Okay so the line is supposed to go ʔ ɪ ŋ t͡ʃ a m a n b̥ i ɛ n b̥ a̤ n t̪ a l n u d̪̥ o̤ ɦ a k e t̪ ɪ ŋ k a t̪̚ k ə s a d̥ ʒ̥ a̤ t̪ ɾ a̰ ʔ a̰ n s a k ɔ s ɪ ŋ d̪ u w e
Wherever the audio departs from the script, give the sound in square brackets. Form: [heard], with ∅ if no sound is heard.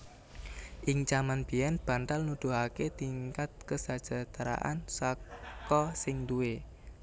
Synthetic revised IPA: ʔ ɪ ŋ t͡ʃ a m a n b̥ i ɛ n b̥ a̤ n t̪ a l n u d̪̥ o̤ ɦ a k e t̪ [i] ŋ k a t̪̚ k ə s a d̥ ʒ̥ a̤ t̪ ɾ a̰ ʔ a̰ n s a k ɔ s ɪ ŋ d̪ u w e